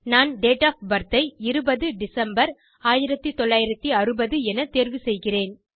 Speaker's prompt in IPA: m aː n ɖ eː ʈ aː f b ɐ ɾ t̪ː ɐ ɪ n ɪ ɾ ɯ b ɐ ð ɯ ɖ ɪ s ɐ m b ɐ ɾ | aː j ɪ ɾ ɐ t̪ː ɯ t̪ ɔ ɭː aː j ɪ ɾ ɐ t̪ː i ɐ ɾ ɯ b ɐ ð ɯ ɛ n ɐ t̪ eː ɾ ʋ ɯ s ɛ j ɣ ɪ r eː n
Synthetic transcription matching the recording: n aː n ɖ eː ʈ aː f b ɐ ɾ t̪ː ɐ ɪ ɪ ɾ ɯ b ɐ ð ɯ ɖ ɪ s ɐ m b ɐ ɾ | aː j ɪ ɾ ɐ t̪ː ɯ t̪ ɔ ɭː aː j ɪ ɾ ɐ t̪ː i ɐ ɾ ɯ b ɐ ð ɯ ɛ n ɐ t̪ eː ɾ ʋ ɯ s ɛ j ɣ ɪ r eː n